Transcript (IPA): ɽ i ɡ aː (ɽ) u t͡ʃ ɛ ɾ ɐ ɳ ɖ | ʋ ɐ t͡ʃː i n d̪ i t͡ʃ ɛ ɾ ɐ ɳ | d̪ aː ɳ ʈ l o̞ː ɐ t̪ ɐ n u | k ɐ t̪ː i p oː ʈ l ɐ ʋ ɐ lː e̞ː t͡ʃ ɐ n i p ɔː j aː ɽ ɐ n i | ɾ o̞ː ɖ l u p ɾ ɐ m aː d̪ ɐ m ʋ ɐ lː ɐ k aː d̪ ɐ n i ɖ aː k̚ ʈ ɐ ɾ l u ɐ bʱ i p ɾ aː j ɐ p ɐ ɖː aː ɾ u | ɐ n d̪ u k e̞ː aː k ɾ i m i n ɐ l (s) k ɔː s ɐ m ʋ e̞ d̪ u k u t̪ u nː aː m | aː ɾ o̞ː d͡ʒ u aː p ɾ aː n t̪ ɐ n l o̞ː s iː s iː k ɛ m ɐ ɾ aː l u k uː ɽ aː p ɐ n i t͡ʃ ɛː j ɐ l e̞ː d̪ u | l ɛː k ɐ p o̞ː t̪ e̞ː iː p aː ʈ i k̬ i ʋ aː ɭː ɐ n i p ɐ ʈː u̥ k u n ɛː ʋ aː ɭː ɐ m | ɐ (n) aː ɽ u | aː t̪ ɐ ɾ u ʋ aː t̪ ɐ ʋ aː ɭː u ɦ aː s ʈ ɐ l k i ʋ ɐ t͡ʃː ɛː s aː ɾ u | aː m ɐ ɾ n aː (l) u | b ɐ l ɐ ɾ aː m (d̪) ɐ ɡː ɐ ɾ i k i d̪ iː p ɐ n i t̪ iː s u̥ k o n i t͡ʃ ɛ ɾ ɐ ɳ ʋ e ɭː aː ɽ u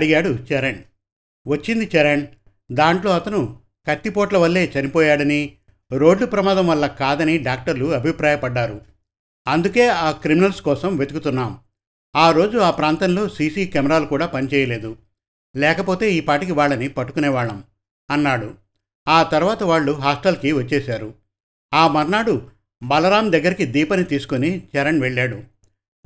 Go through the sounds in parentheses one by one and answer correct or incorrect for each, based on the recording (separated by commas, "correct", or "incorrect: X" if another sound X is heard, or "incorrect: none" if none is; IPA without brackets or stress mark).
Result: correct, correct, incorrect: nː, incorrect: ɽ, correct